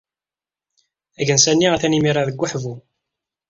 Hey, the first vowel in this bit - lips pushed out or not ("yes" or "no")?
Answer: no